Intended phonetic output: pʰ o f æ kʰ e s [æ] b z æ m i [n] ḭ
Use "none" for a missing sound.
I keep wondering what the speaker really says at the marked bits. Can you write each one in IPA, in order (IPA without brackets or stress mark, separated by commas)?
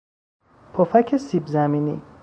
i, n